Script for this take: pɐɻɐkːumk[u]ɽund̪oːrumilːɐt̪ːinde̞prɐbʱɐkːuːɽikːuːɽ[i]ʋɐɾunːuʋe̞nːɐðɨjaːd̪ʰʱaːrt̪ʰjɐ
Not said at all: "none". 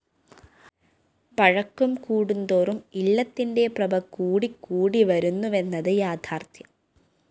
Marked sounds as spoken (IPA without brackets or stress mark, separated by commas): uː, i